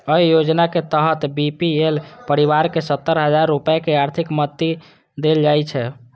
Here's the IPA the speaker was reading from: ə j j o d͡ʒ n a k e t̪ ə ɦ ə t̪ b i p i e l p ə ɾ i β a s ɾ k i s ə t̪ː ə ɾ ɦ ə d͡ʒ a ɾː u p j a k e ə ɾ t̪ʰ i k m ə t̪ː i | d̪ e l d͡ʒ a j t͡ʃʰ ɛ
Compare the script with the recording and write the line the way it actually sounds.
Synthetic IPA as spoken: ə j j o d͡ʒ n a k e t̪ ə ɦ ə t̪ b i p i e l p ə ɾ i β a ɾ k e s ə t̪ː ə ɾ ɦ ə d͡ʒ a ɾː u p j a k e a ɾ t̪ʰ i k m ə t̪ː i | d̪ e l d͡ʒ a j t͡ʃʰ ɛ

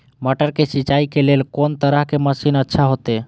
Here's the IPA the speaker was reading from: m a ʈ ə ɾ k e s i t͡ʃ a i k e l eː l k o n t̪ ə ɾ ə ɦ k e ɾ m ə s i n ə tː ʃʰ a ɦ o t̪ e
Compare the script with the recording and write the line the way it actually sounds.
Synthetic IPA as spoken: m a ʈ ə ɾ k e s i t͡ʃ a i k e l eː l k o n t̪ ə ɾ ə ɦ k e m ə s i n ə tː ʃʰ a ɦ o t̪ e

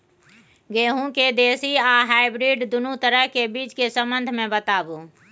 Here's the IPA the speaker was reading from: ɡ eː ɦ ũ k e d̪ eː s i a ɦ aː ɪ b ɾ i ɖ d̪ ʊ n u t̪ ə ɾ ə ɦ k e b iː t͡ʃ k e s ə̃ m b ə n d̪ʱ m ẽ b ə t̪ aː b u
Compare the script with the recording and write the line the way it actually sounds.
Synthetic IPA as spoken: ɡ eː ɦ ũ k e d̪ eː s i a ɦ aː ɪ b ɾ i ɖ d̪ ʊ n u t̪ ə ɾ ə ɦ k e b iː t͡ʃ k e s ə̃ m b ə n d̪ʱ m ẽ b ə t̪ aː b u

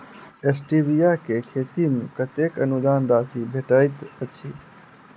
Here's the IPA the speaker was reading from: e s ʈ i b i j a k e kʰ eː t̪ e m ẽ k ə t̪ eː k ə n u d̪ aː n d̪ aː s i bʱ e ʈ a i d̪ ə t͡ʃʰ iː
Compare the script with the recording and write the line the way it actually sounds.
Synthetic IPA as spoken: e s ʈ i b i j a k e kʰ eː t̪ i m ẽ k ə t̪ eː k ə n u d̪ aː n d̪ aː s i bʱ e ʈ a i t̪ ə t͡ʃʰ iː

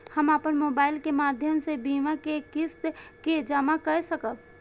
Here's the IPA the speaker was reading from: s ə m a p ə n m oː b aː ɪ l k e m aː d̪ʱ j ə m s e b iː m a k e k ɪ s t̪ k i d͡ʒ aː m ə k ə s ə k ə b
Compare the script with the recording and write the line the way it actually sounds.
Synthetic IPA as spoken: h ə m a p ə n m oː b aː ɪ l k e m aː d̪ʱ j ə m s e b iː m a k e k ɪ s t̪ k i d͡ʒ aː m a k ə s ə k ə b

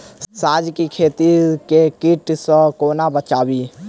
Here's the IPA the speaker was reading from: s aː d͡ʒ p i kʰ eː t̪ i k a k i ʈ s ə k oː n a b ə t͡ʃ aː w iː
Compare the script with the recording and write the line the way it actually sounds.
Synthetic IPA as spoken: s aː d͡ʒ k i kʰ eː t̪ i k e k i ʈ s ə k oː n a b ə t͡ʃ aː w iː

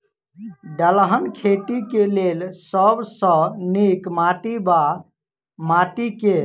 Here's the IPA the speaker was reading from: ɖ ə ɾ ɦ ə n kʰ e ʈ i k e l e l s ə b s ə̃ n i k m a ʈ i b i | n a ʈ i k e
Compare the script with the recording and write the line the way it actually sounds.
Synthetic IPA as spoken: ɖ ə l ɦ ə n kʰ e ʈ i k e l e l s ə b s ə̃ n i k m a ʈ i b a | m a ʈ i k e

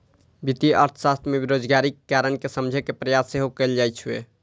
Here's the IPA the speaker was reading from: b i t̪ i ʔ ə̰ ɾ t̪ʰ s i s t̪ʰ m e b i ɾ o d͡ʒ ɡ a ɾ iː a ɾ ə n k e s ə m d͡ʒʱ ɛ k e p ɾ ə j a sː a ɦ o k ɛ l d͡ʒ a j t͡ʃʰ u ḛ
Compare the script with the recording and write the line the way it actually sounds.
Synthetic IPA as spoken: b i t̪ i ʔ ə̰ ɾ t̪ʰ s a s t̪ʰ m e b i ɾ o d͡ʒ ɡ a ɾ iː a ɾ ə n k e s ə m d͡ʒʱ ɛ k e p ɾ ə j a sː e ɦ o k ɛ l d͡ʒ a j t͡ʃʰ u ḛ

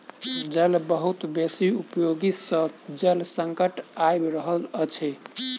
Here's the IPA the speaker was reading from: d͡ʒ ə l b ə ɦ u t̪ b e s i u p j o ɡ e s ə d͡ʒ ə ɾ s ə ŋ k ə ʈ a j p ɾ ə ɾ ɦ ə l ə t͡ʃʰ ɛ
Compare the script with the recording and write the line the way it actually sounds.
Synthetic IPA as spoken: d͡ʒ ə l b ə ɦ u t̪ b e s i u p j o ɡ i s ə d͡ʒ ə l s ə ŋ k ə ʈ a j b ɾ ə ɦ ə l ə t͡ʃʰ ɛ

